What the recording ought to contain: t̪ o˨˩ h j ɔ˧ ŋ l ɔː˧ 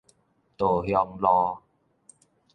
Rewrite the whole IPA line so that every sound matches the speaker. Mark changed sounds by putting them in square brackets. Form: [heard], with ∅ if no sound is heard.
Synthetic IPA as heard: t̪ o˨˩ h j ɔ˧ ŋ l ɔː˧